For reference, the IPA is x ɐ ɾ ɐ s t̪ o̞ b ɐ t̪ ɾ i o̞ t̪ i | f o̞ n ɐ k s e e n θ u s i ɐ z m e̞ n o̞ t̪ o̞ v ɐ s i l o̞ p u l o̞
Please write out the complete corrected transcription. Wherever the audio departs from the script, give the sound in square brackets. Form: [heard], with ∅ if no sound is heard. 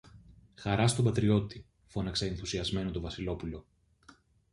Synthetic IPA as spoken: x ɐ ɾ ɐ s t̪ o̞ b ɐ t̪ ɾ i o̞ t̪ i | f o̞ n ɐ k s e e n θ u s i ɐ z m e̞ n o̞ t̪ o̞ v ɐ s i l o̞ p u l o̞